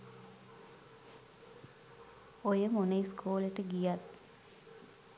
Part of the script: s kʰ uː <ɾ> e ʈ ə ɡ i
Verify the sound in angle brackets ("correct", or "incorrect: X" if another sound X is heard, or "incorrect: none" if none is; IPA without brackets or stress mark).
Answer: incorrect: l